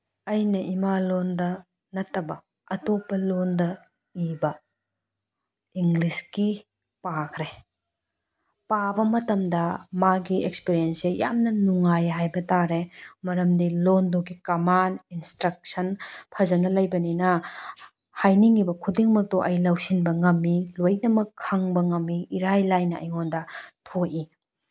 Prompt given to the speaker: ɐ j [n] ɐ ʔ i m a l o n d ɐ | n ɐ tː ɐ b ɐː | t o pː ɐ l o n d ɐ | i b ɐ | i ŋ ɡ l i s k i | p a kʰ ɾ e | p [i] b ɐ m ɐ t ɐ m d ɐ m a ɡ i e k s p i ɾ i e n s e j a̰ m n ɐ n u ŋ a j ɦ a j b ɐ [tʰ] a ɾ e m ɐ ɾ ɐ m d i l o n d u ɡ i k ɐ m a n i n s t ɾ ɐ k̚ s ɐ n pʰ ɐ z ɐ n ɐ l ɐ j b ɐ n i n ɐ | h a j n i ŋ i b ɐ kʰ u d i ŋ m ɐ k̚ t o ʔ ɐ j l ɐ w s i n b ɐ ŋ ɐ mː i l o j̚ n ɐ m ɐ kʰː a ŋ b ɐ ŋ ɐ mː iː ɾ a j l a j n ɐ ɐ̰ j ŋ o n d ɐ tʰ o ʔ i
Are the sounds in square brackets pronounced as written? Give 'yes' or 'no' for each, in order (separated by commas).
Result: yes, no, no